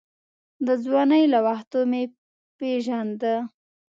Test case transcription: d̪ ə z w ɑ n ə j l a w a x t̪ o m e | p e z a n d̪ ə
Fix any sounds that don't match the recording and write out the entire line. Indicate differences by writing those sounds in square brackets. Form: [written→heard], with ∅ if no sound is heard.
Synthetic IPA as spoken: d̪ ə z w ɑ n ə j l a w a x t̪ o m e | p e [z→ʒ] a n d̪ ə